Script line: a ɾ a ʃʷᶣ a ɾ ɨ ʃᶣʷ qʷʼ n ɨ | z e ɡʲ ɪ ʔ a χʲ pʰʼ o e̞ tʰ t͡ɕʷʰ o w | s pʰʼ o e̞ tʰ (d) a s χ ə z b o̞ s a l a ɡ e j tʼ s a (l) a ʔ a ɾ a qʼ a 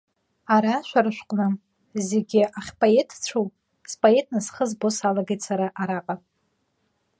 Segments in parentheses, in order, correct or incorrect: incorrect, incorrect

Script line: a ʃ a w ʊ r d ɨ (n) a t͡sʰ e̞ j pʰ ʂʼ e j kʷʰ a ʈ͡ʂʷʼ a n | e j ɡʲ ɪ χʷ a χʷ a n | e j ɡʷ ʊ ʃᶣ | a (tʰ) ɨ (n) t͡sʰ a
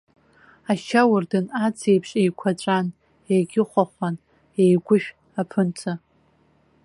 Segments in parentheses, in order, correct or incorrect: correct, incorrect, correct

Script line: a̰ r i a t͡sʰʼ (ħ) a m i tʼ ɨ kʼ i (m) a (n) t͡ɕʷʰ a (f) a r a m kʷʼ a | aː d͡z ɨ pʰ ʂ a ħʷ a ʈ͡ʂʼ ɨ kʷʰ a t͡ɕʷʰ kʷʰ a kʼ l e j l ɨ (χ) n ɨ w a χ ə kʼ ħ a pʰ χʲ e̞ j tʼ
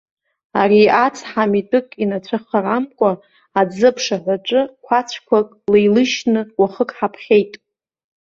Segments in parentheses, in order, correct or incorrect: correct, incorrect, incorrect, incorrect, incorrect

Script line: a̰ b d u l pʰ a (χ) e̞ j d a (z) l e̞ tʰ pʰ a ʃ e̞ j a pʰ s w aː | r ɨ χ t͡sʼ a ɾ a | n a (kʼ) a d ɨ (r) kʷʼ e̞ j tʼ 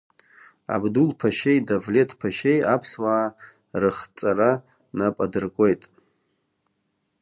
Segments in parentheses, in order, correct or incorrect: incorrect, incorrect, incorrect, correct

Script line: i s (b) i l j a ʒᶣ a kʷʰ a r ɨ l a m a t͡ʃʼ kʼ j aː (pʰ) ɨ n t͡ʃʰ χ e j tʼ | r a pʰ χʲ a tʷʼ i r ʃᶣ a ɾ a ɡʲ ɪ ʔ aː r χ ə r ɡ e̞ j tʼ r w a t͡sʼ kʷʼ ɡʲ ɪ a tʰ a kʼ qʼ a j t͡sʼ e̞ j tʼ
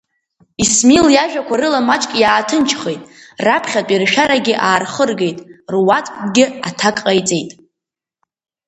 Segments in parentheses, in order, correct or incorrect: incorrect, incorrect

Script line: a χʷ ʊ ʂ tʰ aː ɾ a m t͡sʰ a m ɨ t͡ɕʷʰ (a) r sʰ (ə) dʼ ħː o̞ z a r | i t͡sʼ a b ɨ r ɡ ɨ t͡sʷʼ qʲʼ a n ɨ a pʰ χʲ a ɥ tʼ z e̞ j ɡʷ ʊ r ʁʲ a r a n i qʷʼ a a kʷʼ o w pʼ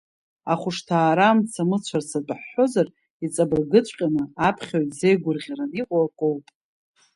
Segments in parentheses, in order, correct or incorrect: correct, incorrect

